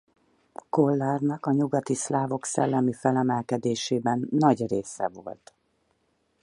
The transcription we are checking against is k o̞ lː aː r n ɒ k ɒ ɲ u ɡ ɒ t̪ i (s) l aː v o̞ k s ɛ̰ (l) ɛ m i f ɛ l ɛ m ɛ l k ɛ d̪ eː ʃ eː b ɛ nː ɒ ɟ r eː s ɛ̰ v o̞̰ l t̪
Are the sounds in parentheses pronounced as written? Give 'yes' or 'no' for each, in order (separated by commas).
yes, no